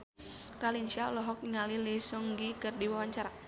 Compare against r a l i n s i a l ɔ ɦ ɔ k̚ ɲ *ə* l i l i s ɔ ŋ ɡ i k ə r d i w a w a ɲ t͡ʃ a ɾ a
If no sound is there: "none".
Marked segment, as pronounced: a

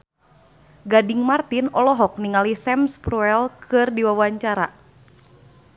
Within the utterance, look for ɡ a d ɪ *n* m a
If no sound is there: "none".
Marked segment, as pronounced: ŋ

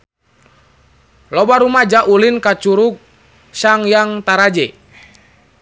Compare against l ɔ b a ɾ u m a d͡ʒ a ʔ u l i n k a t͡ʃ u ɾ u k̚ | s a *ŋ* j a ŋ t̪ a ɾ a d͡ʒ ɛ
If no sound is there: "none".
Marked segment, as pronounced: ŋ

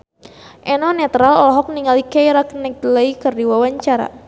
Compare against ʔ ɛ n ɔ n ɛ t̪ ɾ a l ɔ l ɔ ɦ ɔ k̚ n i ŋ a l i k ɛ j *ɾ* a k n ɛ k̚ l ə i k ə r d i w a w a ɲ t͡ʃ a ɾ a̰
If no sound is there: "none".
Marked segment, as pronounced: ɾ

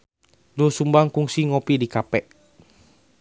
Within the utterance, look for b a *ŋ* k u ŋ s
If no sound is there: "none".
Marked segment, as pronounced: ŋ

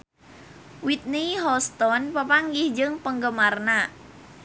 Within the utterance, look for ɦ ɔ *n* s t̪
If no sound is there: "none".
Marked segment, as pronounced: none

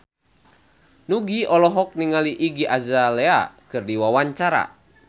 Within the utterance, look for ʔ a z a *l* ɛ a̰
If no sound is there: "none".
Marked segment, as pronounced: l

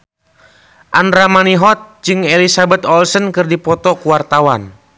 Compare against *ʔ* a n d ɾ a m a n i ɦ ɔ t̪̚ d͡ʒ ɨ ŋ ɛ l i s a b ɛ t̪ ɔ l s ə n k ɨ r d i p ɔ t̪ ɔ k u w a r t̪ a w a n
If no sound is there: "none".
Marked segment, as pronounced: ʔ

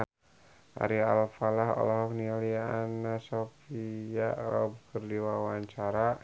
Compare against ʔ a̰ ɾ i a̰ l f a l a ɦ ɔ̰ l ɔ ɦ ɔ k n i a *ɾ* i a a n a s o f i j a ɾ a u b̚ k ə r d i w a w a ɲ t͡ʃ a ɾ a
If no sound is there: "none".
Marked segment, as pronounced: l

